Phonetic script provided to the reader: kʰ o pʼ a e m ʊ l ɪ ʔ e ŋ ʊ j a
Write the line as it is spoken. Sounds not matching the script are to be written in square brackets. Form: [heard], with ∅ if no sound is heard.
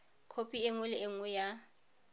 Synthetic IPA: kʰ o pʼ [i] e [ŋ] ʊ l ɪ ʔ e ŋ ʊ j a